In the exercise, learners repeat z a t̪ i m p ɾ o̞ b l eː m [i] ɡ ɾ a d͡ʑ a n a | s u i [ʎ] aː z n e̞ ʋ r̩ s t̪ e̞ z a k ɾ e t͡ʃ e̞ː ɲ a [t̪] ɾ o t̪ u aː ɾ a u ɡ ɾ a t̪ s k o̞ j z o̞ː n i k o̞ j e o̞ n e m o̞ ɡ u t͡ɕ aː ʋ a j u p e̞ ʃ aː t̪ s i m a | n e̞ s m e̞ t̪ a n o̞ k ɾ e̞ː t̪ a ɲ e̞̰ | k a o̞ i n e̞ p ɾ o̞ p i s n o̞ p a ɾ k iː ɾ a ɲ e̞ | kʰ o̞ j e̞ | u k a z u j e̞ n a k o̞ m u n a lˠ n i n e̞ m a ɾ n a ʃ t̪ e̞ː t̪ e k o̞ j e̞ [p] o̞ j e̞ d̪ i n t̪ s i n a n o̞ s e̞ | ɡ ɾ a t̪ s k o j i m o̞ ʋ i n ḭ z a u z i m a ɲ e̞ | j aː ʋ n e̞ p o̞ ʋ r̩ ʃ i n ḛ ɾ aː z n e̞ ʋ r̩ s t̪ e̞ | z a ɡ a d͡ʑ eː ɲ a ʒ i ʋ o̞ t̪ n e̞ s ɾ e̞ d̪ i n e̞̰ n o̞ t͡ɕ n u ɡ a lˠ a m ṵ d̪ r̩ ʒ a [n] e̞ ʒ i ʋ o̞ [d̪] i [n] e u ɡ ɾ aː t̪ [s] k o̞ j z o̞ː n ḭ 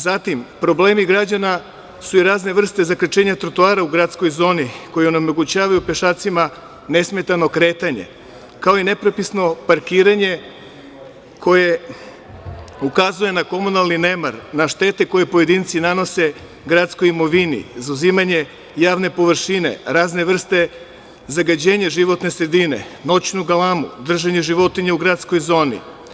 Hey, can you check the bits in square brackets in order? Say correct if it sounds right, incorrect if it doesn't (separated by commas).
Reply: correct, incorrect, correct, correct, incorrect, incorrect, incorrect, correct